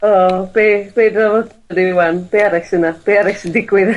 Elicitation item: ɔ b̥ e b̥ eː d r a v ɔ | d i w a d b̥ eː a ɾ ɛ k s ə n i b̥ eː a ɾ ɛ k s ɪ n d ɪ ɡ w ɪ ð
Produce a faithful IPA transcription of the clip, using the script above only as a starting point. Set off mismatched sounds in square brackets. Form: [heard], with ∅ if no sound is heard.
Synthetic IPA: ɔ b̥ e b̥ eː d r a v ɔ | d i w a [n] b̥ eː a ɾ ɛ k s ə n [a] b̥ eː a ɾ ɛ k s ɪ n d ɪ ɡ w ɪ ð